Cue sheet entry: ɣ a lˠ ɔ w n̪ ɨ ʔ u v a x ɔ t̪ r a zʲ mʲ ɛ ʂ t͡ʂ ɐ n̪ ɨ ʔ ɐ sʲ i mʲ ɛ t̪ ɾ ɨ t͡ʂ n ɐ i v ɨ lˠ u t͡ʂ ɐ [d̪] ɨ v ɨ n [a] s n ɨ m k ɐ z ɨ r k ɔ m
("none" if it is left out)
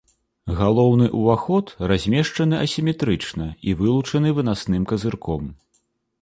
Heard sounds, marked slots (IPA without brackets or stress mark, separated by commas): n̪, a